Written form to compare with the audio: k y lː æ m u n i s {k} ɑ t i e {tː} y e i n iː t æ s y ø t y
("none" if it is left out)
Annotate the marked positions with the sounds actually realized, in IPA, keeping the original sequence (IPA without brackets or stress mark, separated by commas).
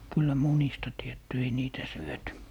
t, tː